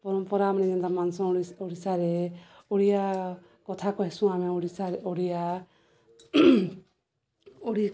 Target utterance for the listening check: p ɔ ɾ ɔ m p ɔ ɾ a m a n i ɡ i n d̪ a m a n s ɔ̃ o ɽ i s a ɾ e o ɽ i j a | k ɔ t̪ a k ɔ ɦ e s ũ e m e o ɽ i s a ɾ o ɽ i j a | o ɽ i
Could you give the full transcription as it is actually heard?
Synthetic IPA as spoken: p ɔ ɾ ɔ m p ɔ ɾ a m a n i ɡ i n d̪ a m a n s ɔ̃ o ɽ i s a ɾ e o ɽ i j a | k ɔ t̪ʰ a k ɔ ɦ e s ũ a m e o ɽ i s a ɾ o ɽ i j a | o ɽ i

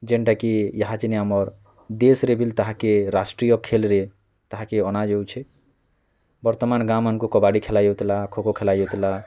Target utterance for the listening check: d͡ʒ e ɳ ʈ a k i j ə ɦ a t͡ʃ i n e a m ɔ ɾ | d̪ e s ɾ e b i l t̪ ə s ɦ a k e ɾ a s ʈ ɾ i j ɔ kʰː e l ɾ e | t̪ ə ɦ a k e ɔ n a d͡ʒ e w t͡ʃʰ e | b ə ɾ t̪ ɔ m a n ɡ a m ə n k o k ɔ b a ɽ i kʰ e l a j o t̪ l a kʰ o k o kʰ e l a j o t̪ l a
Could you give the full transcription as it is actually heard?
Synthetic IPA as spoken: d͡ʒ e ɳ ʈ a k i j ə ɦ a t͡ʃ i n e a m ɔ ɾ | d̪ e s ɾ e b i l t̪ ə ɦ a k e ɾ a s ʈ ɾ i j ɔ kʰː e l ɾ e | t̪ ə ɦ a k e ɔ n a d͡ʒ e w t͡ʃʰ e | b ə ɾ t̪ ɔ m a n ɡ a m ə n k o k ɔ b a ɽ i kʰ e l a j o t̪ l a kʰ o k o kʰ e l a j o t̪ l a

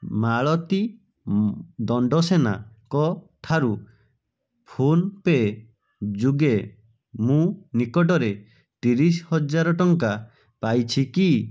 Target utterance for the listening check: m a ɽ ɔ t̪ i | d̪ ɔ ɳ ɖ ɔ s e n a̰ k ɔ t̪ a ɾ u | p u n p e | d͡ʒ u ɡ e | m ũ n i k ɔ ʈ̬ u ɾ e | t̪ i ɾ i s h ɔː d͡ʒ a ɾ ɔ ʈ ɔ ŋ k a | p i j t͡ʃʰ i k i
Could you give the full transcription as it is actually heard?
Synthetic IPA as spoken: m a ɭ ɔ t̪ i | d̪ ɔ ɳ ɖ ɔ s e n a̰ k ɔ t̪ʰ a ɾ u | pʰ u n p e | d͡ʒ u ɡ e | m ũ n i k ɔ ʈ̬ ɔ ɾ e | t̪ i ɾ i s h ɔ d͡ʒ a ɾ ɔ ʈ ɔ ŋ k a | p a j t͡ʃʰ i k i

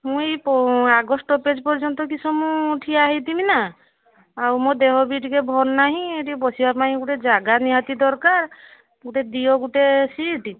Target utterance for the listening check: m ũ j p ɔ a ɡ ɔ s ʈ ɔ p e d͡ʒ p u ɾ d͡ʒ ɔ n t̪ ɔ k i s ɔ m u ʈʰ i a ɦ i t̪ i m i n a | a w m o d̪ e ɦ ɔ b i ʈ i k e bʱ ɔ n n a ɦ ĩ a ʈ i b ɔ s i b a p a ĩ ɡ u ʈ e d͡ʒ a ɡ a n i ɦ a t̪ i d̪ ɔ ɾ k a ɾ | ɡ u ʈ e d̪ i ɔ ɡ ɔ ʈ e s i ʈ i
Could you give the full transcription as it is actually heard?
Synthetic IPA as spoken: m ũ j p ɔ a ɡ ɔ s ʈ ɔ p e d͡ʒ p ɔ ɾ d͡ʒ ɔ n t̪ ɔ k i s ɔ m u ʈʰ i a ɦ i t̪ i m i n a | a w m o d̪ e ɦ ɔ b i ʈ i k e bʱ ɔ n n a ɦ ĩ e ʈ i b ɔ s i b a p a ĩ ɡ u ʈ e d͡ʒ a ɡ a n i ɦ a t̪ i d̪ ɔ ɾ k a ɾ | ɡ u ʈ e d̪ i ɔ ɡ u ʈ e s i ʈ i

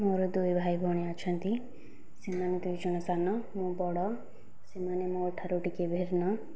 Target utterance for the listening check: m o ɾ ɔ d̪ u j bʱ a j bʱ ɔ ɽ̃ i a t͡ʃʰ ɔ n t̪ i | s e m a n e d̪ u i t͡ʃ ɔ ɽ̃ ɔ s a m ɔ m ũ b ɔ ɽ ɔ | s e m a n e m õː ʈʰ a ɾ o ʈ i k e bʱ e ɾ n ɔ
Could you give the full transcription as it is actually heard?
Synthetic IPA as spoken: m o ɾ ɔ d̪ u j bʱ a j bʱ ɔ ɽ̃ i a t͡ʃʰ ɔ n t̪ i | s e m a n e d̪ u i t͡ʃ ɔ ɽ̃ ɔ s a n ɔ m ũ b ɔ ɽ ɔ | s e m a n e m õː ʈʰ a ɾ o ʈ i k e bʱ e ɾ n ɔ

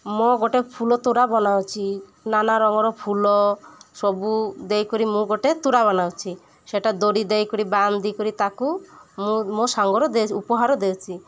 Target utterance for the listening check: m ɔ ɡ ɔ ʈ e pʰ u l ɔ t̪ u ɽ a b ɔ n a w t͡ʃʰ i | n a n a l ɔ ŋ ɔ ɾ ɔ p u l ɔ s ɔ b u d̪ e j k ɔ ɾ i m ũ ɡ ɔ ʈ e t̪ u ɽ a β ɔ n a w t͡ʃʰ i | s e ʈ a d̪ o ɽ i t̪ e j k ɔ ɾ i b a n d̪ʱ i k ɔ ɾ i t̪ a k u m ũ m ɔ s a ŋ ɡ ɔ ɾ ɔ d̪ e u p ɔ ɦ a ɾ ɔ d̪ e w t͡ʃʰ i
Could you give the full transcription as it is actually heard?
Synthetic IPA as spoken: m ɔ ɡ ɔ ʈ e pʰ u l ɔ t̪ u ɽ a b ɔ n a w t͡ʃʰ i | n a n a ɾ ɔ ŋ ɔ ɾ ɔ pʰ u l ɔ s ɔ b u d̪ e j k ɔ ɾ i m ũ ɡ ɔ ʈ e t̪ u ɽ a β ɔ n a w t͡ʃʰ i | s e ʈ a d̪ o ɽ i d̪ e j k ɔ ɾ i b a n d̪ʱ i k ɔ ɾ i t̪ a k u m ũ m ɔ s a ŋ ɡ ɔ ɾ ɔ d̪ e u p ɔ ɦ a ɾ ɔ d̪ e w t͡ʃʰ i

